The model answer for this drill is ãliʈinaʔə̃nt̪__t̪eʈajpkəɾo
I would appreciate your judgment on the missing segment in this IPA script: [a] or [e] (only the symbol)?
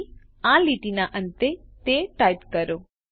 e